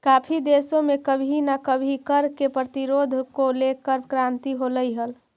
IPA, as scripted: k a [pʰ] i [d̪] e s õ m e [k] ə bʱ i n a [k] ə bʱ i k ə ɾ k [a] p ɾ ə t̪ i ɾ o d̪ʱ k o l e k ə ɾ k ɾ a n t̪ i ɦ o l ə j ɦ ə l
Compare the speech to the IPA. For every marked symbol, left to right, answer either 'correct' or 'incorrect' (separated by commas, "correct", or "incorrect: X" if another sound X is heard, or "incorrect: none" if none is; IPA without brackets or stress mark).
correct, correct, correct, correct, incorrect: e